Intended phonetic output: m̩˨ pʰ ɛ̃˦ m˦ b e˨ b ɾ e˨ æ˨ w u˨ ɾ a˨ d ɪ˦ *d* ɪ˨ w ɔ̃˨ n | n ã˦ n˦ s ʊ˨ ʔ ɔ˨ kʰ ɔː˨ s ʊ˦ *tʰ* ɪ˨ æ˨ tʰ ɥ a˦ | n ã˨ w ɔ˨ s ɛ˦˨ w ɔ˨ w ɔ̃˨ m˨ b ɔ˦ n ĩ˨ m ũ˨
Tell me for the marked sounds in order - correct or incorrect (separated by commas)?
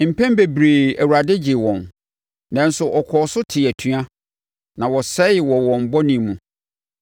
incorrect, correct